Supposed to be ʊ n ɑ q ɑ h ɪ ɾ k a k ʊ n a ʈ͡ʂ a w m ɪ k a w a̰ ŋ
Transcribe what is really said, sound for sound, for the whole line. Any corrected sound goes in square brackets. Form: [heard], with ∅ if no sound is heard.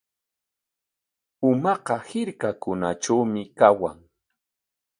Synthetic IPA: ʊ [m] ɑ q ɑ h ɪ ɾ k a k ʊ n a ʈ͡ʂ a w m ɪ k a w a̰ ŋ